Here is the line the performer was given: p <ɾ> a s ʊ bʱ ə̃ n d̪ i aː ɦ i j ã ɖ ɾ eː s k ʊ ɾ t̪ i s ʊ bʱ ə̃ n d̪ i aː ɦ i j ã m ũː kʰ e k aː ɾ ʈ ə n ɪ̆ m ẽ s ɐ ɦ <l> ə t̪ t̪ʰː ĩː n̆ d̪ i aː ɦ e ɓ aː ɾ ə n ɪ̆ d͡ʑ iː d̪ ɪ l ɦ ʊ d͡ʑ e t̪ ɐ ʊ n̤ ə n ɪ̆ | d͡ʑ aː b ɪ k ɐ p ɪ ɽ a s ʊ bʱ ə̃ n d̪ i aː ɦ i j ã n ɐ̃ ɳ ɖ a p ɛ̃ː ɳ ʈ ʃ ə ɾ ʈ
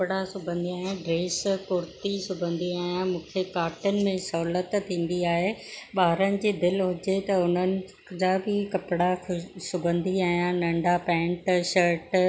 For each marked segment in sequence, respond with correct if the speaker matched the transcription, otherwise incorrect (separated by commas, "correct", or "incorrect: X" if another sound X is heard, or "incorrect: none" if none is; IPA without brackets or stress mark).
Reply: incorrect: ɽ, correct